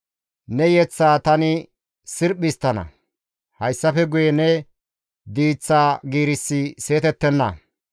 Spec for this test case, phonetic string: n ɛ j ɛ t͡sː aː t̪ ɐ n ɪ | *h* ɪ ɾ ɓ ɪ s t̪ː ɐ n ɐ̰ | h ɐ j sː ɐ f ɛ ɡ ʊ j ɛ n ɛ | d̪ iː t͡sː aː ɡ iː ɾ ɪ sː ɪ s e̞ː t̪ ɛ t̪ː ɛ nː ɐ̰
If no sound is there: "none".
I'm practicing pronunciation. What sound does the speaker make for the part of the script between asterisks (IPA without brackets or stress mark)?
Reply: s